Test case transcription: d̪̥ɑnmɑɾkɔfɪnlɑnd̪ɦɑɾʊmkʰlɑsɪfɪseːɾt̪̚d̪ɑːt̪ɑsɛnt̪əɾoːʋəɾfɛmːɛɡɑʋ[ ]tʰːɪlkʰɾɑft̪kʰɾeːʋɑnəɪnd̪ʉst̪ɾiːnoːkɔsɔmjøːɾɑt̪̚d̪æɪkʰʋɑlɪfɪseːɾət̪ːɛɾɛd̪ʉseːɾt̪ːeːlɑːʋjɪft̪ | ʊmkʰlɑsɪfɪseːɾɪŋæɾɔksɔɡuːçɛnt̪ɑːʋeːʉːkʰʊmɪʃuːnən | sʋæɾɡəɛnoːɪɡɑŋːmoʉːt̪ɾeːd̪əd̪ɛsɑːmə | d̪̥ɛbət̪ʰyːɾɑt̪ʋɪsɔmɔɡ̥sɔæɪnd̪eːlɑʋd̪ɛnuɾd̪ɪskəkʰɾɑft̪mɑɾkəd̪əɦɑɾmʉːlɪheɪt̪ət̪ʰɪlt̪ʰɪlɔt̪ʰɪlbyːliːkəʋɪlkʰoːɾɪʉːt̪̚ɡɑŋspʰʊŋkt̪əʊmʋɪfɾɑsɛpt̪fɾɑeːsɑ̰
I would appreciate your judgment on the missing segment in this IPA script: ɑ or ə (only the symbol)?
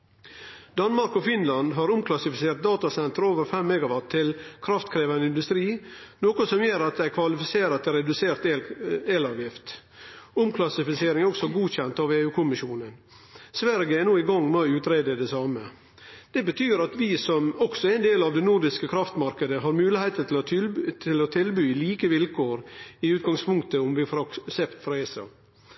ɑ